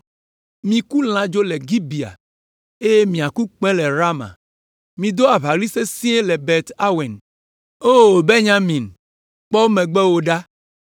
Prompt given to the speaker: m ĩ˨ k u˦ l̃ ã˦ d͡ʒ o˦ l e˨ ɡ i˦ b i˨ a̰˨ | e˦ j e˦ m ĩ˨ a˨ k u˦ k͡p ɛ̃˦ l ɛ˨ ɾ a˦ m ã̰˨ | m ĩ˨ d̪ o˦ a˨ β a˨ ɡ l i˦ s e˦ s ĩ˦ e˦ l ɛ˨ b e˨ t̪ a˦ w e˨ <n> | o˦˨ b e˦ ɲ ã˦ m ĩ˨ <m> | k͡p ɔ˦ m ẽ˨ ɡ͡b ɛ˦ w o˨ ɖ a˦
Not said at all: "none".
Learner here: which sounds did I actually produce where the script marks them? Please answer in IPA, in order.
n, n

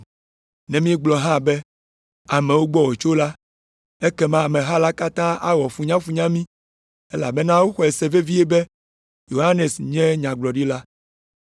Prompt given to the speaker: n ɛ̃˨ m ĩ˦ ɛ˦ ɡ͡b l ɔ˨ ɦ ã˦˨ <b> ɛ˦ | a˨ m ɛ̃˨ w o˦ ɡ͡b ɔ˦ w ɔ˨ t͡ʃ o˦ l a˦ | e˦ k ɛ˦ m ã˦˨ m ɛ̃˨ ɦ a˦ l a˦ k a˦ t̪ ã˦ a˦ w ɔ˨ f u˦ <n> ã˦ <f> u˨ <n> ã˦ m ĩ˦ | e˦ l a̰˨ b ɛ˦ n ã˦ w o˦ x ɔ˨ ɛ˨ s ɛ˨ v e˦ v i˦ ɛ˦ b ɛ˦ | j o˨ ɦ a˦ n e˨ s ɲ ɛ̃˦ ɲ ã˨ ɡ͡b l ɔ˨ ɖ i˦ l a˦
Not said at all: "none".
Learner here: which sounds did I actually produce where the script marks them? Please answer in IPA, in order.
b, ɲ, f, ɲ

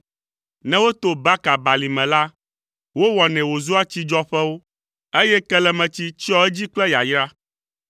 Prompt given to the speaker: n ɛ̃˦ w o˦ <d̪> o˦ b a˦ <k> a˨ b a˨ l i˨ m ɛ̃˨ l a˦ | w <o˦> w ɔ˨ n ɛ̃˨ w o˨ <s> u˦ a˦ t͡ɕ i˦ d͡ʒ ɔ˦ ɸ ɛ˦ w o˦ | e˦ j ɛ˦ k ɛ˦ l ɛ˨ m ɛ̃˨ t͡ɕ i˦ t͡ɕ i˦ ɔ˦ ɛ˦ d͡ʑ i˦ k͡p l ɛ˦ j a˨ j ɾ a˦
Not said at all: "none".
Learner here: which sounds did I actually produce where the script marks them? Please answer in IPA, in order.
t̪, k, o˦, z

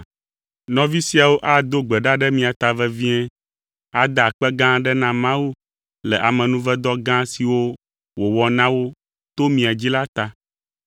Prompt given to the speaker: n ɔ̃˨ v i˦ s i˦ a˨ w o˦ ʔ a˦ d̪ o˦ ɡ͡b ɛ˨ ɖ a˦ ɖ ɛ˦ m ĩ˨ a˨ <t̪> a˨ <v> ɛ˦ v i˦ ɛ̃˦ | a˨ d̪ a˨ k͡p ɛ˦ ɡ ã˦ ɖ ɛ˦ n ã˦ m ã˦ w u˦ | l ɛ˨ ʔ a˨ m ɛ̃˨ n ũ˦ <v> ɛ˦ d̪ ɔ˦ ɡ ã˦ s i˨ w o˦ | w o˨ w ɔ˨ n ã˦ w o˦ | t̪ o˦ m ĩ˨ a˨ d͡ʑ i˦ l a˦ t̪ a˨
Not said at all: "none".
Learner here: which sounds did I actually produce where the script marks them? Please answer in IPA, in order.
t̪, v, v

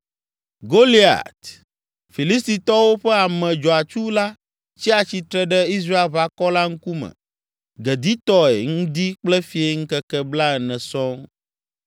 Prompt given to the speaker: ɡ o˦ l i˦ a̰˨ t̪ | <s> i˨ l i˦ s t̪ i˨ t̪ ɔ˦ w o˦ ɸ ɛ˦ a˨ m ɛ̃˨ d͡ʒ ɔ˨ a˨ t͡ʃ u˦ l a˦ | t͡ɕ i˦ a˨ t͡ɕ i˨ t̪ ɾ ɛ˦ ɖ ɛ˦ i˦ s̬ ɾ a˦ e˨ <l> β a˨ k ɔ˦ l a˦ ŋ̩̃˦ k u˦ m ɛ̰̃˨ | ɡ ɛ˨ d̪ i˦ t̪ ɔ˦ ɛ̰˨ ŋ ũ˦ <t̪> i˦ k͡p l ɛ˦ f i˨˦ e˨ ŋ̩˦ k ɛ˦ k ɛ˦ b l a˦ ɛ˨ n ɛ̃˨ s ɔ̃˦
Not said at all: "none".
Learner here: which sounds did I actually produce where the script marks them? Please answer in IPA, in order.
f, l, d̪

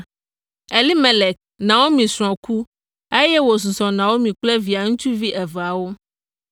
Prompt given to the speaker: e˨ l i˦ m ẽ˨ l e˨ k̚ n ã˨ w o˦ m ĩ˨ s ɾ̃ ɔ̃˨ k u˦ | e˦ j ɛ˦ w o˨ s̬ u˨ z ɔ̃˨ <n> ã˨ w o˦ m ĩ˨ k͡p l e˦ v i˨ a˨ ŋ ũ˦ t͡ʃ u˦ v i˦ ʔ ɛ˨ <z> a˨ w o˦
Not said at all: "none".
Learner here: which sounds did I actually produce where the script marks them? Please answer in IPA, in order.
n, v

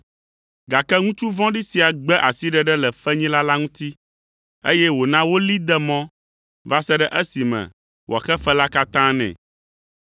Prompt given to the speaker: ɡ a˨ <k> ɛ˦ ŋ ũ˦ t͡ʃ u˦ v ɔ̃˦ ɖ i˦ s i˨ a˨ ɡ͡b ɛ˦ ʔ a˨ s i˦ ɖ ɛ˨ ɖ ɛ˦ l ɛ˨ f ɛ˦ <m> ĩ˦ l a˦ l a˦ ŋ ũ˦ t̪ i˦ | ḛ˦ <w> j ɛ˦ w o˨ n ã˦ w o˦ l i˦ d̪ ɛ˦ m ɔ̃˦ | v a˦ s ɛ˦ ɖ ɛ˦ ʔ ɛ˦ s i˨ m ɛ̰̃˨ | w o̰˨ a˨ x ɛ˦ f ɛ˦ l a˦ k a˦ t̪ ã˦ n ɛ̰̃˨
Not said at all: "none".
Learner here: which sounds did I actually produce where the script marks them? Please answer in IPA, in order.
k, ɲ, none

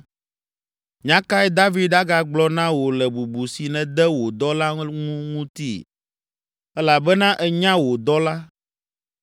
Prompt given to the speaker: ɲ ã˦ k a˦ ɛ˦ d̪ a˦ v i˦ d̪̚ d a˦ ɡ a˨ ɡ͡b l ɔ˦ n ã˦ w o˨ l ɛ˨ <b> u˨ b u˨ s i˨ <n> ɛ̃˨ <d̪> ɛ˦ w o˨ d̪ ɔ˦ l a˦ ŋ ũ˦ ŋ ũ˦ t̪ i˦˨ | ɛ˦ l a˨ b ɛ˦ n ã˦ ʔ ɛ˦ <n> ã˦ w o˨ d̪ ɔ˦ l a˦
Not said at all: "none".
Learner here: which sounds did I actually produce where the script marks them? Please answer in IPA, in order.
b, n, d̪, ɲ

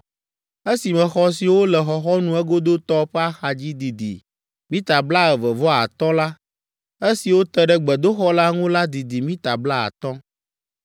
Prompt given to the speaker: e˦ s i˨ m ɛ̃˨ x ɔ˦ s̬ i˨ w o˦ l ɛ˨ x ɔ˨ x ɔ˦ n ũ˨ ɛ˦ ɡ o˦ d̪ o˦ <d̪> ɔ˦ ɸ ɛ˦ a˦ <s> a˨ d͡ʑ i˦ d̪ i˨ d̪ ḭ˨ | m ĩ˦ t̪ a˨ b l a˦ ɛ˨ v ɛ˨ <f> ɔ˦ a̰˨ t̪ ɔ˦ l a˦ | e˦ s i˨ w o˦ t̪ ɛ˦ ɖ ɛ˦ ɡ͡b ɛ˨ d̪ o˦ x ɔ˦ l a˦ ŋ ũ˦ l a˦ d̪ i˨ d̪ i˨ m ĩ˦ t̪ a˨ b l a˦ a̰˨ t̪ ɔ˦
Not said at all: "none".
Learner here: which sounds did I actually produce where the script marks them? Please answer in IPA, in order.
t̪, x, v

